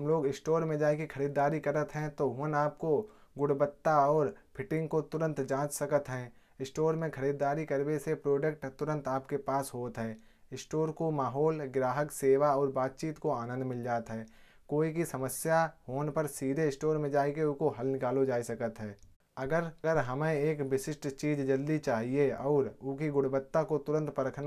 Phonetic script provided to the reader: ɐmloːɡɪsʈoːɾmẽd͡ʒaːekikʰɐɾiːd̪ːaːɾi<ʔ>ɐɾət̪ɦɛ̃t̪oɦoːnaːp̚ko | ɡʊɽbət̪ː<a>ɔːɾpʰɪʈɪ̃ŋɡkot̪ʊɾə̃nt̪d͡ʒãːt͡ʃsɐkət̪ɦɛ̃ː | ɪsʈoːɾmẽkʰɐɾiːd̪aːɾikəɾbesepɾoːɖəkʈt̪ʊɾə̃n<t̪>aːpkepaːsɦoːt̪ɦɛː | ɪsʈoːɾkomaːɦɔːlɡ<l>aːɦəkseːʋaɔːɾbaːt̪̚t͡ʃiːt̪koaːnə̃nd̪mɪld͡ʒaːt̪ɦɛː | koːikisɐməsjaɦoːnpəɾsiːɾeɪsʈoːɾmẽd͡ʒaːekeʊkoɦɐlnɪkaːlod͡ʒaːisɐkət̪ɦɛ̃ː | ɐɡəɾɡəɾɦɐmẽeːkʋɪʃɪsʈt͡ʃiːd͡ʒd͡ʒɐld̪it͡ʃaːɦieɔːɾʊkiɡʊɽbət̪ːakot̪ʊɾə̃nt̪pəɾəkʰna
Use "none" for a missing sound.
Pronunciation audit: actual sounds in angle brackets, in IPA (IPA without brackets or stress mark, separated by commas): k, a, t̪, ɾ